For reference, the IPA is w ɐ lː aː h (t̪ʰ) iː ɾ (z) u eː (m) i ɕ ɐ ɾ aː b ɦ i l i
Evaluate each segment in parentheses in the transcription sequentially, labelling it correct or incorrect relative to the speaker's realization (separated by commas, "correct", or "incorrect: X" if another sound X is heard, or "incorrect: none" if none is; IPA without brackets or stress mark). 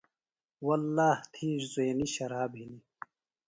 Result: correct, correct, incorrect: n